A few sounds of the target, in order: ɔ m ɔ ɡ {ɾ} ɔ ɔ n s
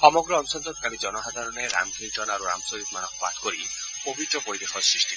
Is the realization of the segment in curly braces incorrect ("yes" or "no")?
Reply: no